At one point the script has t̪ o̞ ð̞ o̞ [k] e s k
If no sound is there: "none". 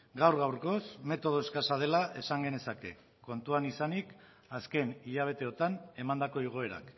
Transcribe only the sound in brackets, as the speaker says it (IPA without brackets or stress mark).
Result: none